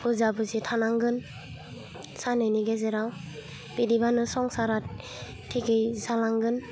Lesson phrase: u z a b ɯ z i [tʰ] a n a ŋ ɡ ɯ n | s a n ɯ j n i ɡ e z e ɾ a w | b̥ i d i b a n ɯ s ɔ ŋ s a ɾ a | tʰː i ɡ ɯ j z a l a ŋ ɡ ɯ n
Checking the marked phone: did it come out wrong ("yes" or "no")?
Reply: no